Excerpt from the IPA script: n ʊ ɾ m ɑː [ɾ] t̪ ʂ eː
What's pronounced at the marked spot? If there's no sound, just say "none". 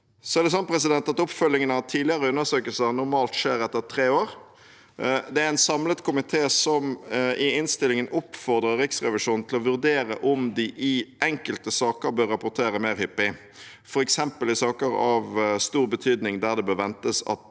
l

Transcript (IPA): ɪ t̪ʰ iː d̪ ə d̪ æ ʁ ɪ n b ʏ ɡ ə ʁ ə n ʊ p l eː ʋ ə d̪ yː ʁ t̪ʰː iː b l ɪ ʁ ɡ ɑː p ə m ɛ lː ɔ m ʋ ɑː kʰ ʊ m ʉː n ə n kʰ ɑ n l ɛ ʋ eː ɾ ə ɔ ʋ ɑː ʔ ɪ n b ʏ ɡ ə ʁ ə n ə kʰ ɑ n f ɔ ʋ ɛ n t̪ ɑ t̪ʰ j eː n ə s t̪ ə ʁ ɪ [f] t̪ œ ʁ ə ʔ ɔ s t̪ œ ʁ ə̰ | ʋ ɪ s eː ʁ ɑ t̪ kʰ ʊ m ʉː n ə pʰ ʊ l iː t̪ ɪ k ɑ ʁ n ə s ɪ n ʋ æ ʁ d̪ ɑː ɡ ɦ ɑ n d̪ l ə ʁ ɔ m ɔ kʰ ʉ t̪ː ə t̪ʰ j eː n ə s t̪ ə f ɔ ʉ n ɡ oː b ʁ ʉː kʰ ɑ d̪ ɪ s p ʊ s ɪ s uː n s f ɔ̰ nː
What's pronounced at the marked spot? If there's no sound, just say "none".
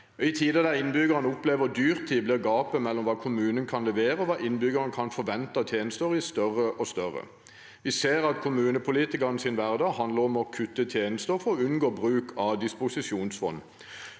s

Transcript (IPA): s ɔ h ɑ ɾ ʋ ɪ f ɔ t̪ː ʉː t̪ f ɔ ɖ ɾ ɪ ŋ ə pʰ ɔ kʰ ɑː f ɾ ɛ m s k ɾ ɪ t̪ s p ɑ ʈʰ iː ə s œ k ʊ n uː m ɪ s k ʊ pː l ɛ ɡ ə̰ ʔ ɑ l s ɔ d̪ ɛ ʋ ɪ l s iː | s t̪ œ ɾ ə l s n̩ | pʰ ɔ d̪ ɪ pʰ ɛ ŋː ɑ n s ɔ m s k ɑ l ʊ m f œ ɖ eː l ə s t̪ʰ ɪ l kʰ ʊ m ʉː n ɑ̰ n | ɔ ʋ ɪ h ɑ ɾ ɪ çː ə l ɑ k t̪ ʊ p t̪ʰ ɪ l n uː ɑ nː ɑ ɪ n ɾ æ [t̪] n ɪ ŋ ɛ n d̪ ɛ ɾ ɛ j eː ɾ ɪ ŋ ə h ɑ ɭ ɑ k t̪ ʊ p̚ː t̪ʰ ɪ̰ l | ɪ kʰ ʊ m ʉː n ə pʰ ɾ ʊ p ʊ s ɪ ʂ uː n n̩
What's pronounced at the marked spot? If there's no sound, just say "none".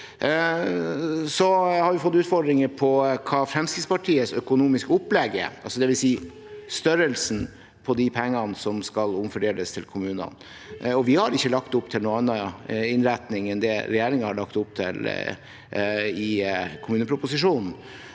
t̪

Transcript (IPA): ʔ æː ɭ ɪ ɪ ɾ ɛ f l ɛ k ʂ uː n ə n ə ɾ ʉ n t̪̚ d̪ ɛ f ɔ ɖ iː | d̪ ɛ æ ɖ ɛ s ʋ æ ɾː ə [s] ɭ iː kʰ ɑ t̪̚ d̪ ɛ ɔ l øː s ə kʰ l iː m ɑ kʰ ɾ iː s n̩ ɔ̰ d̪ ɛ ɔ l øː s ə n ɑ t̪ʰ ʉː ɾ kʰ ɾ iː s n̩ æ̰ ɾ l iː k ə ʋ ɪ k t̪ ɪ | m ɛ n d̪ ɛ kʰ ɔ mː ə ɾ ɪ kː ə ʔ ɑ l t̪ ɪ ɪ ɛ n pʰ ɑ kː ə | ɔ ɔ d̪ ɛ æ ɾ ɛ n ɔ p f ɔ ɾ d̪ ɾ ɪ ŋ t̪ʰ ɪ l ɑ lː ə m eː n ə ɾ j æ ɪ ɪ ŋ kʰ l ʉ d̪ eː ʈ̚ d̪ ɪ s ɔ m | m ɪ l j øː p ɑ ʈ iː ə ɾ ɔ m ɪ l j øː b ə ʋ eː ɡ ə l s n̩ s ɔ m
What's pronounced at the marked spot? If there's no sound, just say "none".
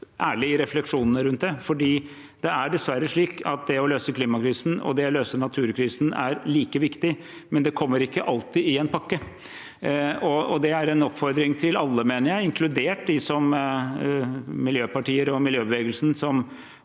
ʂ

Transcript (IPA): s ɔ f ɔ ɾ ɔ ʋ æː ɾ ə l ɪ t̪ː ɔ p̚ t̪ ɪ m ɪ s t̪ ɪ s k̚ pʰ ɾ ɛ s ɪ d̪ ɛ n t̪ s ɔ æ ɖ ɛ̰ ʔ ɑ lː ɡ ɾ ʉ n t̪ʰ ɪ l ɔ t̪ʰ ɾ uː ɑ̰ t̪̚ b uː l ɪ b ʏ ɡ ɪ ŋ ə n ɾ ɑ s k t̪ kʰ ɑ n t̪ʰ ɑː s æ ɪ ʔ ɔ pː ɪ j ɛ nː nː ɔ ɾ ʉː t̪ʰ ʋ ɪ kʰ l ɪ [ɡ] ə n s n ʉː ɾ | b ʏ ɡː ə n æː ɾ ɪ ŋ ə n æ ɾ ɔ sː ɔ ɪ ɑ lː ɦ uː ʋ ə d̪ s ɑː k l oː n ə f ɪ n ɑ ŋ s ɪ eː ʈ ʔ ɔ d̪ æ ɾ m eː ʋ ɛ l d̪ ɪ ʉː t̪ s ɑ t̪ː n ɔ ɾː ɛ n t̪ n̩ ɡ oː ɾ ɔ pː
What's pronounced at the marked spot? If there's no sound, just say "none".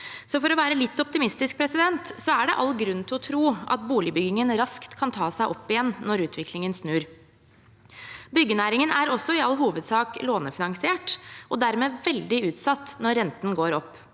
ŋ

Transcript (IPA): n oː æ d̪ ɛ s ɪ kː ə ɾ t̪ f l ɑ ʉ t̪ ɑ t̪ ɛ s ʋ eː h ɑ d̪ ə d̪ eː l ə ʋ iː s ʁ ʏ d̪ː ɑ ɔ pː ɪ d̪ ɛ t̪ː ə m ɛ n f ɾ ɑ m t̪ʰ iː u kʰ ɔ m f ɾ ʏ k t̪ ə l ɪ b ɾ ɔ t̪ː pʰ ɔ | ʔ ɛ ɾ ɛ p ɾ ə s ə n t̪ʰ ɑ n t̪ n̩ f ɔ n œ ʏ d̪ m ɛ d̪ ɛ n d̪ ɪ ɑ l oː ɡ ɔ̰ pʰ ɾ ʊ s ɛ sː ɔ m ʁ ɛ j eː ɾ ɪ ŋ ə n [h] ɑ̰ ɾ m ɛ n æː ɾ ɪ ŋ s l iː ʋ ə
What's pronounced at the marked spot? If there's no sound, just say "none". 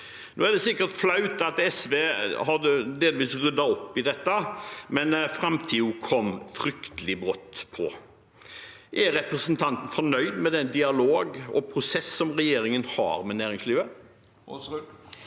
h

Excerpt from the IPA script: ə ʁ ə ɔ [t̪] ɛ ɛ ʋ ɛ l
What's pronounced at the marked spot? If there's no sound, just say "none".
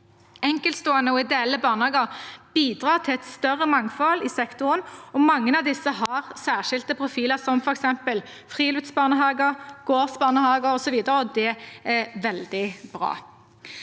d̪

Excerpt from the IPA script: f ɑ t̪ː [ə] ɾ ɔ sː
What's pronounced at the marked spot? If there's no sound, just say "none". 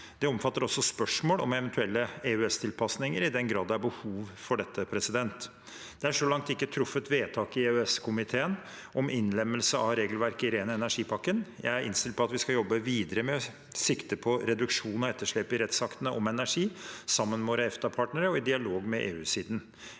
ə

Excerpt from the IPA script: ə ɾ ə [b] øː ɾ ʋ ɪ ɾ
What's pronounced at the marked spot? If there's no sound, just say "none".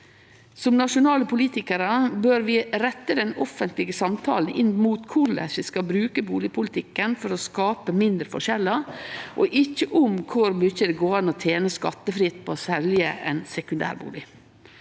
b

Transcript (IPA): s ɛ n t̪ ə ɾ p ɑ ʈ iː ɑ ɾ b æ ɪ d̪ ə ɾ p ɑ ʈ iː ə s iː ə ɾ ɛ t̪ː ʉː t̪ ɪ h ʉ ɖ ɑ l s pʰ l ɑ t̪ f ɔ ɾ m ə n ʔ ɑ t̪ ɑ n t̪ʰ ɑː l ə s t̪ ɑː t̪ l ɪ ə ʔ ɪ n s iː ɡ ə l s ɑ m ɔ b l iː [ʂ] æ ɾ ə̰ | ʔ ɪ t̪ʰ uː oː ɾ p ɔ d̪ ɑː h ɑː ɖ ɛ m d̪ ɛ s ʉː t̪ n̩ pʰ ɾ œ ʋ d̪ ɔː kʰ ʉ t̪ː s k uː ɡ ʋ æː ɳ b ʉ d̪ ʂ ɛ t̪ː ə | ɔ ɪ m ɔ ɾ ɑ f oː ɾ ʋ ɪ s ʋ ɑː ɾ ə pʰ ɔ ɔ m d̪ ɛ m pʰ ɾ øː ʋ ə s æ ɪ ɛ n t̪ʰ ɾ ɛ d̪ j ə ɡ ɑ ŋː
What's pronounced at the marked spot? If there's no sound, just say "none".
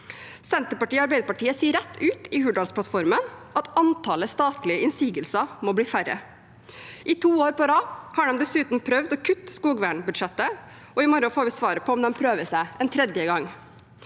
f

